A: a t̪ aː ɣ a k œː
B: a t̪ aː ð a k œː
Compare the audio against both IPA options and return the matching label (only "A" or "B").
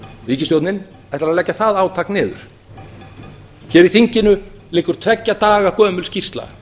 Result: A